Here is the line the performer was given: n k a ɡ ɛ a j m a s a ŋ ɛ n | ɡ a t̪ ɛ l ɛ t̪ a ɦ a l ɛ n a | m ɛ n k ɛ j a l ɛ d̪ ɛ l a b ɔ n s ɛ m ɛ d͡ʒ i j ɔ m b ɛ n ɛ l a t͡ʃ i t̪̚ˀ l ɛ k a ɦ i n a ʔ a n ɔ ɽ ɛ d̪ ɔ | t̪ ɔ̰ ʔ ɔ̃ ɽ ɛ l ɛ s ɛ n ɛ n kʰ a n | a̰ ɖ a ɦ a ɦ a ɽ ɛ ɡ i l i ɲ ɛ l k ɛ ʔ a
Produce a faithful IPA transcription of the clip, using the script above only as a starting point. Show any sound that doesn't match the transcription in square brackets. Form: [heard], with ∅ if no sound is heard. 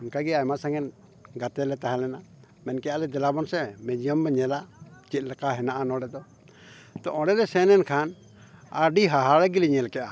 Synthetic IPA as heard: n k a ɡ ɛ a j m a s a ŋ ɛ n | ɡ a t̪ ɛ l ɛ t̪ a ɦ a l ɛ n a | m ɛ n k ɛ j a l ɛ d̪ ɛ l a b ɔ n s ɛ m ɛ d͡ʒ i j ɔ m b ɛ [ɲ] ɛ l a t͡ʃ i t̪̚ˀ l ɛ k a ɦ [ɛ] n a ʔ a n ɔ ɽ ɛ d̪ ɔ | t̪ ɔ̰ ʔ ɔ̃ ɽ ɛ l ɛ s ɛ n ɛ n kʰ a n | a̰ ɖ [i] ɦ a ɦ a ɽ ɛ ɡ i l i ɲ ɛ l k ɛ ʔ a